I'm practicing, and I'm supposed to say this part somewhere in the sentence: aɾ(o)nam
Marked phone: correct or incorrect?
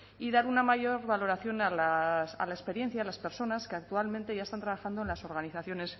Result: incorrect: u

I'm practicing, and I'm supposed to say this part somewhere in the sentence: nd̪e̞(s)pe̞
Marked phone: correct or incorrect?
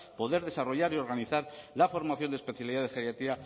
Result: correct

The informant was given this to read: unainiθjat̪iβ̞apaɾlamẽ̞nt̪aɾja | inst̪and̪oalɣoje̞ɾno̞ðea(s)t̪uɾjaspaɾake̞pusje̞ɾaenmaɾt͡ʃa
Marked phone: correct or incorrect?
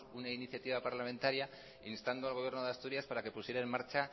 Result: correct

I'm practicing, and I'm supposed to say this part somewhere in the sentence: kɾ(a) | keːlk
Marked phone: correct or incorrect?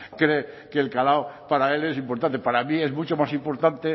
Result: incorrect: e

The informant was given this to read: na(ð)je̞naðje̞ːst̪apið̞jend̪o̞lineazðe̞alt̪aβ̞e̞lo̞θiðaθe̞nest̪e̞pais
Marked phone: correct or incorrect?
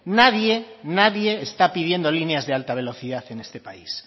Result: correct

